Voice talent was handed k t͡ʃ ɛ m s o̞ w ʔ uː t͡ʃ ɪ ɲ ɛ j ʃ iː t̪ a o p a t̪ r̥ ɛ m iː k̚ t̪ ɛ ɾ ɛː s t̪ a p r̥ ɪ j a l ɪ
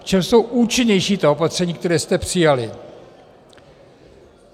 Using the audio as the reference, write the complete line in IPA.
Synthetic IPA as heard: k t͡ʃ ɛ m s o̞ w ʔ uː t͡ʃ ɪ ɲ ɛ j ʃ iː t̪ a o p a t̪ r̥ ɛ ɲ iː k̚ t̪ ɛ ɾ ɛː s t̪ ɛ p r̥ ɪ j a l ɪ